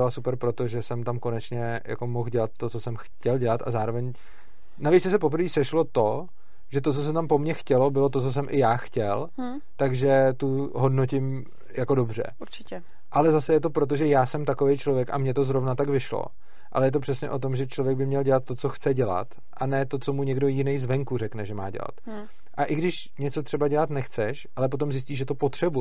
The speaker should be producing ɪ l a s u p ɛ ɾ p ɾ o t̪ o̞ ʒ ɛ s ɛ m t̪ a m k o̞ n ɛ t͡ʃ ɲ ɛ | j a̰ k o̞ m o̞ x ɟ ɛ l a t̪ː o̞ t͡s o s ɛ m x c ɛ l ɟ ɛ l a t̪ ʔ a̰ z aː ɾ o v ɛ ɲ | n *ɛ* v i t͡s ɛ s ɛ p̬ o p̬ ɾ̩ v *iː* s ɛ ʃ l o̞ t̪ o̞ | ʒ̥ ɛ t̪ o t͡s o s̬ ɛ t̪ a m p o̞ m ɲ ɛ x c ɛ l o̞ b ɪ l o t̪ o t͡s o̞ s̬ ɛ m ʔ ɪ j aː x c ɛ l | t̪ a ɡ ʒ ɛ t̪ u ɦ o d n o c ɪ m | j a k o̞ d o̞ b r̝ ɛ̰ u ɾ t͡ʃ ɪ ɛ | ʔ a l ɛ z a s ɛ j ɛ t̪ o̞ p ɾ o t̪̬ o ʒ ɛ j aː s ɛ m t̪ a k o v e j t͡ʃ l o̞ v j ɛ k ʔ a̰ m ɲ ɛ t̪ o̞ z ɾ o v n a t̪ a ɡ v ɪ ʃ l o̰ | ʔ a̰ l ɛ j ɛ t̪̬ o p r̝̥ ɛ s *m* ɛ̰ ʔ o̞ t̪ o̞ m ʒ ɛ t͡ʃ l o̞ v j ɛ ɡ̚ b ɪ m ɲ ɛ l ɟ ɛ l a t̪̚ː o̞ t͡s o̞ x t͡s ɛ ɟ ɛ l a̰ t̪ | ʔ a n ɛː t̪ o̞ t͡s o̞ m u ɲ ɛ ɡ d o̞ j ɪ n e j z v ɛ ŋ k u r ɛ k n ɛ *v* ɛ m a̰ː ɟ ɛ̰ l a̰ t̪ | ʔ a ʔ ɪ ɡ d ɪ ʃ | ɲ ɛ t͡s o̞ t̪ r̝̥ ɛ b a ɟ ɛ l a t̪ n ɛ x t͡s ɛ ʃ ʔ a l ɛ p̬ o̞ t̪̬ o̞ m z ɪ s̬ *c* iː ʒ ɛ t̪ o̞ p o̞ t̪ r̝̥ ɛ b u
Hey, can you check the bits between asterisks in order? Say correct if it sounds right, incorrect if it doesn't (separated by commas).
incorrect, correct, incorrect, incorrect, correct